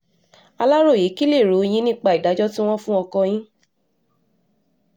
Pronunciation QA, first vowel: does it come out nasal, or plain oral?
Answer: oral